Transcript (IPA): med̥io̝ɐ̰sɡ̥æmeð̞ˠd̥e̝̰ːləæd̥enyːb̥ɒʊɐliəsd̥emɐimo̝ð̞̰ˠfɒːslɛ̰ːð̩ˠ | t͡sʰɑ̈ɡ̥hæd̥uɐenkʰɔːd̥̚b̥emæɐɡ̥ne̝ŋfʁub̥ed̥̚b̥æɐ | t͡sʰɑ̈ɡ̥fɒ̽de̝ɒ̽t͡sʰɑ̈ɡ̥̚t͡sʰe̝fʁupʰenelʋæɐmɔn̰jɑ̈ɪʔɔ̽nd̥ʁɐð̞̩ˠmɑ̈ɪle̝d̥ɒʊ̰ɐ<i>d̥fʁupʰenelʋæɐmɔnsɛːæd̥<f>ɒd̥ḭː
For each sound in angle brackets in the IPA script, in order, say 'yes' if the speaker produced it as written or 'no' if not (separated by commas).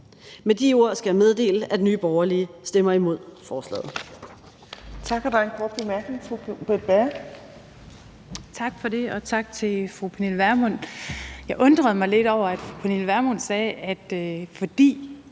no, yes